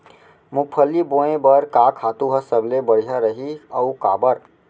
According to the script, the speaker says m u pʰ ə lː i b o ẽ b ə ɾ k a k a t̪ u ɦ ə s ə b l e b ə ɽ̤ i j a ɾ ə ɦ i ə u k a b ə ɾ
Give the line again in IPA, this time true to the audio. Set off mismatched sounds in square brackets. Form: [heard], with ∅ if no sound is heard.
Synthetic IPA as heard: m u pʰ ə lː i b o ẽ b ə ɾ k a [kʰ] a t̪ u ɦ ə s ə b l e b ə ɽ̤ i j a ɾ ə ɦ i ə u k a b ə ɾ